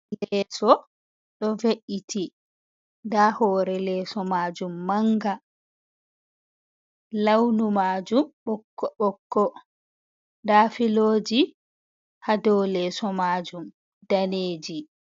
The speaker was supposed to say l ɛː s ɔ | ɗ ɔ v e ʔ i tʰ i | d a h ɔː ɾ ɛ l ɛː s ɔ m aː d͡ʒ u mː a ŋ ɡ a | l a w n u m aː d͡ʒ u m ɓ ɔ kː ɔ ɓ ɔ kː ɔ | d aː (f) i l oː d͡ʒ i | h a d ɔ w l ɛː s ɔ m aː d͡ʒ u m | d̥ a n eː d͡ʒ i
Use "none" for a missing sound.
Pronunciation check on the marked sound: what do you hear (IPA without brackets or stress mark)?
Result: f